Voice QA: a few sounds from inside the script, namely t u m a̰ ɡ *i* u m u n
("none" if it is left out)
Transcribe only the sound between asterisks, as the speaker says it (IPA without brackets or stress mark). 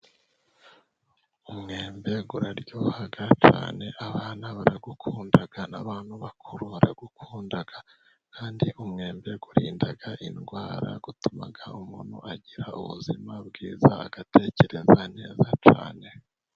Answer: a